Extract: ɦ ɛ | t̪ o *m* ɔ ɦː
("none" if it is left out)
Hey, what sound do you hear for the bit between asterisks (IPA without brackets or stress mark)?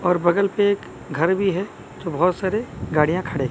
b